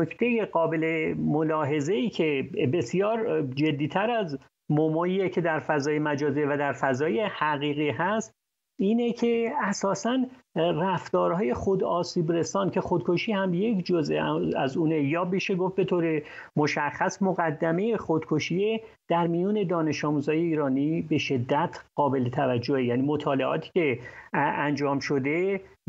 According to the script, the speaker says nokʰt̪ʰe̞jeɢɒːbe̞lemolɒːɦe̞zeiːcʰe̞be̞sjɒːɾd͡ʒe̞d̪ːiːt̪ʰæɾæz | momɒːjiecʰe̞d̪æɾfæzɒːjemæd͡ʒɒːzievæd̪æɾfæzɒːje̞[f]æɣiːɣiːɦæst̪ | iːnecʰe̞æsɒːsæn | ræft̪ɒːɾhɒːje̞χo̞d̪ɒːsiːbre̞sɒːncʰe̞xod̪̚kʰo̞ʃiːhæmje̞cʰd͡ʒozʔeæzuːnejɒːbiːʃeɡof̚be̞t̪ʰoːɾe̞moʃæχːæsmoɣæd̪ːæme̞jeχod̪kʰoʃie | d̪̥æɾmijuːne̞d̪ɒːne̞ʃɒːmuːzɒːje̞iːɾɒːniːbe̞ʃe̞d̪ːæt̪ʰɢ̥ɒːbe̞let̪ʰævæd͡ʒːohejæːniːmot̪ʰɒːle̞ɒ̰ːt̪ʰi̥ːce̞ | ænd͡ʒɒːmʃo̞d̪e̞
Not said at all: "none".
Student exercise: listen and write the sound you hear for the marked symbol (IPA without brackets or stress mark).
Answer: h